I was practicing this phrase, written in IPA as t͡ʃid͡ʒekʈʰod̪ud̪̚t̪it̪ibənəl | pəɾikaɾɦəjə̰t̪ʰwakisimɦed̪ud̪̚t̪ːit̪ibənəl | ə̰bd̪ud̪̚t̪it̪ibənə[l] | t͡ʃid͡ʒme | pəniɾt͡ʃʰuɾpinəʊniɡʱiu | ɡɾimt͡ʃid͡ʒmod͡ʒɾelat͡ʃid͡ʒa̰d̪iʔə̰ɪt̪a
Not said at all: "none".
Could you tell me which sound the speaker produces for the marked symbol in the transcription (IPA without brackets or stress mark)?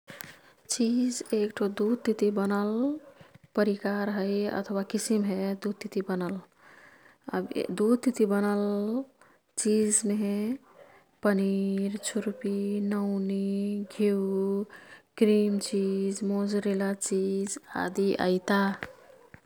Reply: l